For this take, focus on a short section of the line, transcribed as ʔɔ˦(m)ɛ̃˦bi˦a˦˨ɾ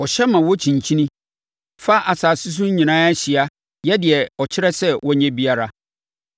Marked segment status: incorrect: ɲ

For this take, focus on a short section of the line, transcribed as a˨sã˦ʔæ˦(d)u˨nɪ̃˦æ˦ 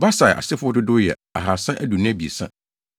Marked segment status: correct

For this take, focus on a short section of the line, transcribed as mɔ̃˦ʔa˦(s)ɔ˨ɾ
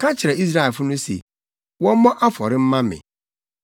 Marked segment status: incorrect: f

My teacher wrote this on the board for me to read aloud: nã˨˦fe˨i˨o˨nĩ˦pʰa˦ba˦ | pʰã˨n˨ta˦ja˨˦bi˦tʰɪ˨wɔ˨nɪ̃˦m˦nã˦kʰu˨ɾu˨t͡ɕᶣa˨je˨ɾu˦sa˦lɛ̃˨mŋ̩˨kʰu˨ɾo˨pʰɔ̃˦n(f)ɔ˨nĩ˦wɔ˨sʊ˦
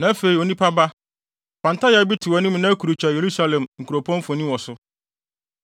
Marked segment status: correct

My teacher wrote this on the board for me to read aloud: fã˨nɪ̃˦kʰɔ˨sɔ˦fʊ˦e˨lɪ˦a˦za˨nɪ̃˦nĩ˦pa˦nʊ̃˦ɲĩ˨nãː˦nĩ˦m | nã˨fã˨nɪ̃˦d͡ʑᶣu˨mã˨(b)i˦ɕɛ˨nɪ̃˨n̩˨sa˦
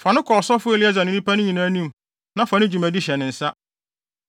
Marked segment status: incorrect: d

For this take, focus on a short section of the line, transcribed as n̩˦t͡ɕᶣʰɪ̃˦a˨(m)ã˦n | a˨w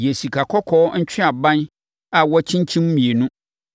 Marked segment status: incorrect: b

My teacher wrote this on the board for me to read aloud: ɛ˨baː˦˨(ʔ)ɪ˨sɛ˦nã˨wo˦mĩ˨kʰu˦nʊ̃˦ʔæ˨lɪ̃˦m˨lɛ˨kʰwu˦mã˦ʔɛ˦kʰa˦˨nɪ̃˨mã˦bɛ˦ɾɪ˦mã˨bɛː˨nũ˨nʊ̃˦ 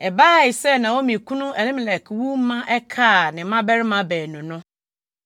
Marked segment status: incorrect: none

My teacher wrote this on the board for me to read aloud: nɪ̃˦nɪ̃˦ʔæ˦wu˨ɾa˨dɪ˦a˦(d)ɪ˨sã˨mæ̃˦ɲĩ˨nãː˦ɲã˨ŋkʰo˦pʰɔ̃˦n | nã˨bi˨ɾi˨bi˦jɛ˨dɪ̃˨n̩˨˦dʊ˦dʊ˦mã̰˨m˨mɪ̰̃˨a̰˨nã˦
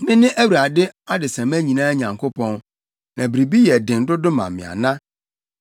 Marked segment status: correct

